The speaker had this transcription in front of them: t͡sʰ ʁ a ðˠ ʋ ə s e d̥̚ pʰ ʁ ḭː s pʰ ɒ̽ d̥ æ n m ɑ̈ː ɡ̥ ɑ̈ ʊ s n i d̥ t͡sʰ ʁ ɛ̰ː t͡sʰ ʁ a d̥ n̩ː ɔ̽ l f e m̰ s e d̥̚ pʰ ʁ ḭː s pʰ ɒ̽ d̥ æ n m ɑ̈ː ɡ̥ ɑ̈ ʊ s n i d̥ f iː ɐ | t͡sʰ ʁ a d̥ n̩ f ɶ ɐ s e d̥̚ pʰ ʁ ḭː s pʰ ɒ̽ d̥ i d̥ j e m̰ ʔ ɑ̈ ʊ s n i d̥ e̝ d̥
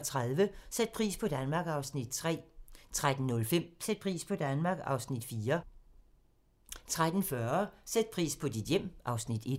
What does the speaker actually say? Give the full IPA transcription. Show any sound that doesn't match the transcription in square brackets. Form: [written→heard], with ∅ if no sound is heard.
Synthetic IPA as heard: t͡sʰ ʁ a ðˠ ʋ ə s e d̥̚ pʰ ʁ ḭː s pʰ ɒ̽ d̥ æ n m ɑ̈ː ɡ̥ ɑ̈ ʊ s n i d̥ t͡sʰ ʁ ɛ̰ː t͡sʰ ʁ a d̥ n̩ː ɔ̽ l f e m̰ s e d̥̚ pʰ ʁ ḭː s pʰ ɒ̽ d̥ æ n m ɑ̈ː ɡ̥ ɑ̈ ʊ s n i d̥ f iː ɐ | t͡sʰ ʁ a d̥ n̩ f ɶ ɐ s e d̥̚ pʰ ʁ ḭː s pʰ ɒ̽ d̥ i d̥ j e m̰ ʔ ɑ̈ ʊ s n i d̥ e̝ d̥

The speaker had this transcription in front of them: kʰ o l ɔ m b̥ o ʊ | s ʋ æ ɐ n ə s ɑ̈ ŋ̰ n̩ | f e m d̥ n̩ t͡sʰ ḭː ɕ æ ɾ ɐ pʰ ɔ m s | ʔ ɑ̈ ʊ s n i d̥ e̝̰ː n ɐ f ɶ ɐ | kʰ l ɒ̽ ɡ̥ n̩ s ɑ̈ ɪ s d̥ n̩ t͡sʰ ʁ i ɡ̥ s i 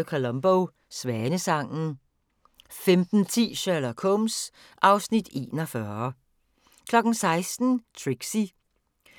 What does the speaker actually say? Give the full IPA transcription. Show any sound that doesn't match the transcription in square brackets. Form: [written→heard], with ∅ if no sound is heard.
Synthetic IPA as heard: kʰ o l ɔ m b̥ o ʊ | s ʋ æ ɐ n ə s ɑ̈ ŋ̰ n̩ | f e m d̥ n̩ t͡sʰ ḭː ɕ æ [ɾ→l] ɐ [pʰ→kʰ] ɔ m s | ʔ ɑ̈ ʊ s n i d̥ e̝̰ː n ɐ f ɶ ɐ | kʰ l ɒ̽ ɡ̥ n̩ s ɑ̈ ɪ s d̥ n̩ t͡sʰ ʁ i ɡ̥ s i

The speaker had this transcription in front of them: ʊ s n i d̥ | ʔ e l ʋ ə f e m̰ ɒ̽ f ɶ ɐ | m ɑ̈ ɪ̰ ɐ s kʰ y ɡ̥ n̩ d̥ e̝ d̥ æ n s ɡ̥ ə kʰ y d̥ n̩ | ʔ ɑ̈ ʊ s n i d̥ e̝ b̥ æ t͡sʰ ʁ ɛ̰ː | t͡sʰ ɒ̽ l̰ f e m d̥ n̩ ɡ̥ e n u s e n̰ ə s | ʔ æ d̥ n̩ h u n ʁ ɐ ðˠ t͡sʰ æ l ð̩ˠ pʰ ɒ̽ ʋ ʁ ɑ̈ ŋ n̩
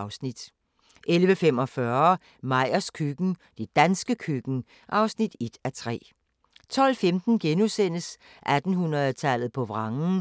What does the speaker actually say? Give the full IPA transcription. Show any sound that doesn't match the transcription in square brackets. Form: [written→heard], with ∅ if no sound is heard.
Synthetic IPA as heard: ʊ s n i d̥ | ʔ e l ʋ ə f e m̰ ɒ̽ f ɶ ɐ | m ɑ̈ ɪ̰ ɐ s kʰ y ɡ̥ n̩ d̥ e̝ d̥ æ n s ɡ̥ ə kʰ y [d̥→ɡ̥] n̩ | ʔ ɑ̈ ʊ s n i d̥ e̝ [b̥→d̥] æ t͡sʰ ʁ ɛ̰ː | t͡sʰ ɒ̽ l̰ f e m d̥ n̩ ɡ̥ e n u s e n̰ ə s | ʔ æ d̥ n̩ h u n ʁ ɐ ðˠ t͡sʰ æ l ð̩ˠ pʰ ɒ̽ ʋ ʁ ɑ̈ ŋ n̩

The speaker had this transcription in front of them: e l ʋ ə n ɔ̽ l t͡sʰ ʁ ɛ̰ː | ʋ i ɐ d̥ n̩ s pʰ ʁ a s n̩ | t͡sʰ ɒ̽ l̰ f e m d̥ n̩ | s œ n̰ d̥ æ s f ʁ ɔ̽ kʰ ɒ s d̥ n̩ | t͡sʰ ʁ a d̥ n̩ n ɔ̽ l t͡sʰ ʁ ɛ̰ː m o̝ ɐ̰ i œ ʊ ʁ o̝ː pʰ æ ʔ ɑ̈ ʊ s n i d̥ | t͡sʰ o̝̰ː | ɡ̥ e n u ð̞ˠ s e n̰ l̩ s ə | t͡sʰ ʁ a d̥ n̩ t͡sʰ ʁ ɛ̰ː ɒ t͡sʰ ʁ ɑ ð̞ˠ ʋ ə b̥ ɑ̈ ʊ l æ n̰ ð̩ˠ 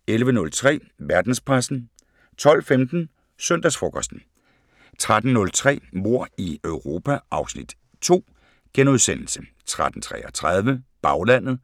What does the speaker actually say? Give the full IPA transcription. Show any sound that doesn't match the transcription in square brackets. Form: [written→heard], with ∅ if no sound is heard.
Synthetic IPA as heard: e l ʋ ə n ɔ̽ l t͡sʰ ʁ ɛ̰ː | ʋ [i→æ] ɐ d̥ n̩ s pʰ ʁ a s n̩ | t͡sʰ ɒ̽ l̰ f e m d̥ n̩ | s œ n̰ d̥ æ s f ʁ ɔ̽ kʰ ɒ s d̥ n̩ | t͡sʰ ʁ a d̥ n̩ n ɔ̽ l t͡sʰ ʁ ɛ̰ː m o̝ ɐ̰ i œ ʊ ʁ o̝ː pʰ æ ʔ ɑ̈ ʊ s n i d̥ | t͡sʰ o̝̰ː | ɡ̥ e n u ð̞ˠ s e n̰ l̩ s ə | t͡sʰ ʁ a d̥ n̩ t͡sʰ ʁ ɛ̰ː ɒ t͡sʰ ʁ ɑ ð̞ˠ ʋ ə b̥ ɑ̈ ʊ l æ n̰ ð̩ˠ

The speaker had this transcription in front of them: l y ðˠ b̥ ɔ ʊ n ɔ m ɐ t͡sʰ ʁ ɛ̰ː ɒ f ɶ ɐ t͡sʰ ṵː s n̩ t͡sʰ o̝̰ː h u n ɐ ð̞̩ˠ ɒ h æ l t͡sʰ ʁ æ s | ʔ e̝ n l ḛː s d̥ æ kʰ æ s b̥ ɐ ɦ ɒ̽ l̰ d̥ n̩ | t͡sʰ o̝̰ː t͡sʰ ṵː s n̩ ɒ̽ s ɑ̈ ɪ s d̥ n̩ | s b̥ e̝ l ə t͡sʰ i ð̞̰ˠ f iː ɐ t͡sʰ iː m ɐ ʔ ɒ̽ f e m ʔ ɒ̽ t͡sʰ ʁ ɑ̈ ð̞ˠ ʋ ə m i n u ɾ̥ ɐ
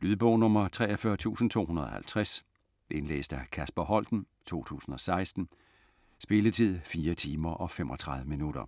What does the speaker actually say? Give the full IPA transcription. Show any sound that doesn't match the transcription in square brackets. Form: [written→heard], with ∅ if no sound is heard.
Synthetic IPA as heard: l y ðˠ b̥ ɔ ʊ n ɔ m ɐ t͡sʰ ʁ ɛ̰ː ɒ f ɶ ɐ t͡sʰ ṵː s n̩ t͡sʰ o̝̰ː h u n ɐ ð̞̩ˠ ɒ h æ l t͡sʰ ʁ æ s | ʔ e̝ n l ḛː s d̥ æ kʰ æ s b̥ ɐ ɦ ɒ̽ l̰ d̥ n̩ | t͡sʰ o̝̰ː t͡sʰ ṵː s n̩ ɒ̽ s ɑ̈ ɪ s d̥ n̩ | s b̥ e̝ l ə t͡sʰ i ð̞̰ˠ f iː ɐ t͡sʰ iː m ɐ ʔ ɒ̽ f e m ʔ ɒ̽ t͡sʰ ʁ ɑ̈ ð̞ˠ ʋ ə m i n u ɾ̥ ɐ

